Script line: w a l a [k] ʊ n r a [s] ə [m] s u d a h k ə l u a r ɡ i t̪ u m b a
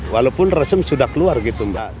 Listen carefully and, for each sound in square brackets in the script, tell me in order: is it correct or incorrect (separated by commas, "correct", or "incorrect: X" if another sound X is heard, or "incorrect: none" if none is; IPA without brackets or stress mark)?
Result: incorrect: p, correct, correct